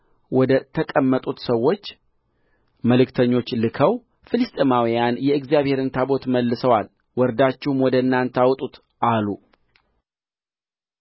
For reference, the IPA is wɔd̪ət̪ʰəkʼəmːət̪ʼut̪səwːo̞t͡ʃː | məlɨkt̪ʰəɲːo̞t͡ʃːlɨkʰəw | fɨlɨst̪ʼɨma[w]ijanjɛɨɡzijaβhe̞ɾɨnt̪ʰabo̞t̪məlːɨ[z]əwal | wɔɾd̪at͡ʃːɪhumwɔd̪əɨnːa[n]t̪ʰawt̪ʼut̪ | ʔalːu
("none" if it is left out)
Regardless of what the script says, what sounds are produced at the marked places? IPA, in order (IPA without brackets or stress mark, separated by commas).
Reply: w, s, n